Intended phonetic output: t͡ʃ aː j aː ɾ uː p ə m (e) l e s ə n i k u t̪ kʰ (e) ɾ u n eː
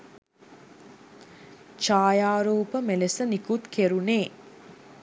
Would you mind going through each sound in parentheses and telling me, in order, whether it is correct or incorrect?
correct, correct

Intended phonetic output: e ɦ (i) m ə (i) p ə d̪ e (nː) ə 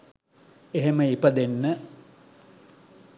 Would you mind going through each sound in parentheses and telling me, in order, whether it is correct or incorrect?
incorrect, correct, correct

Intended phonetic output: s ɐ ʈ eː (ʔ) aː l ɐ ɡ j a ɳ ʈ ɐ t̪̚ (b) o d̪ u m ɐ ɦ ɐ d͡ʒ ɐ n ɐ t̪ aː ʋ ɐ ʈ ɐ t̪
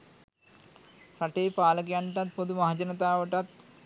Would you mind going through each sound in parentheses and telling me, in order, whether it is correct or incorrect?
incorrect, incorrect

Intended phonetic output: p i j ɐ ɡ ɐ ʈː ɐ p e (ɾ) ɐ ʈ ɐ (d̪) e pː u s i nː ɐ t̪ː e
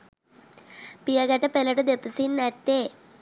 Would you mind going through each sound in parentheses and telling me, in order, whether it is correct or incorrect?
incorrect, correct

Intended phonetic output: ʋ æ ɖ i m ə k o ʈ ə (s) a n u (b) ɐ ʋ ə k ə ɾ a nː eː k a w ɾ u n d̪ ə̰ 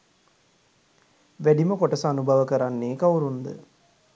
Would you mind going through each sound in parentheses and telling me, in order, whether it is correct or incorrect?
correct, correct

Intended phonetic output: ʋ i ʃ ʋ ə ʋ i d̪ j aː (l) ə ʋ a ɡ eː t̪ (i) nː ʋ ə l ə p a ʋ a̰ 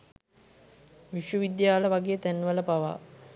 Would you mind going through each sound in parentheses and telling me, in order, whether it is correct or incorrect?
correct, incorrect

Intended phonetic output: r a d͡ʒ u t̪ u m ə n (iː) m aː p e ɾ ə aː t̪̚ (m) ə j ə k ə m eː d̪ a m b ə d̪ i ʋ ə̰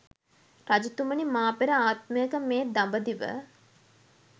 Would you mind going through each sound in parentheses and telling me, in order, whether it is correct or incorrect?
incorrect, correct

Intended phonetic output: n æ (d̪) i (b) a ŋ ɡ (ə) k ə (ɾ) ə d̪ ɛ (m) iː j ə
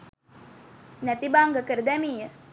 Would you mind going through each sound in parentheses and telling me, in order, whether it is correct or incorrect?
incorrect, correct, correct, correct, correct

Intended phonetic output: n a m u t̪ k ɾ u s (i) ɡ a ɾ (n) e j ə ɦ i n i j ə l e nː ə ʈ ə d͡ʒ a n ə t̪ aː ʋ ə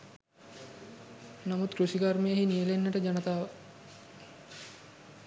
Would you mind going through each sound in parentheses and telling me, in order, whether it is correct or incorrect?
correct, incorrect

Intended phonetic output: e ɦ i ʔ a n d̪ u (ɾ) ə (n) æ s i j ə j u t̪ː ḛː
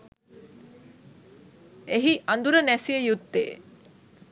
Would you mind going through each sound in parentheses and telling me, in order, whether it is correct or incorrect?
correct, correct

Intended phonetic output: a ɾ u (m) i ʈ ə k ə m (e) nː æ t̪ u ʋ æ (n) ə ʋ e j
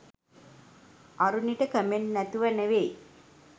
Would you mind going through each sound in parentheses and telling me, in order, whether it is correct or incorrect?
incorrect, correct, correct

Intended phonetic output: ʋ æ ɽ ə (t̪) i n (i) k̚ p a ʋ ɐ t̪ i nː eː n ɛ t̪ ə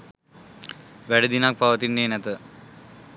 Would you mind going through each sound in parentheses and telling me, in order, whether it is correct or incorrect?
incorrect, incorrect

